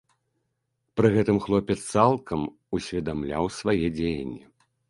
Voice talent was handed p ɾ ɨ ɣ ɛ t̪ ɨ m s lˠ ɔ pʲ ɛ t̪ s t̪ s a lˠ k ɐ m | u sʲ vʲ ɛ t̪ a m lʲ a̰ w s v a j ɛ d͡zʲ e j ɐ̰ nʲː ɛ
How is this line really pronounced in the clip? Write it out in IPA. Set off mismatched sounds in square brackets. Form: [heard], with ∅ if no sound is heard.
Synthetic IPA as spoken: p ɾ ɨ ɣ ɛ t̪ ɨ m [x] lˠ ɔ pʲ ɛ t̪ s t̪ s a lˠ k ɐ m | u sʲ vʲ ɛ [d̪] a m lʲ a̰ w s v a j ɛ d͡zʲ e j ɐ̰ nʲː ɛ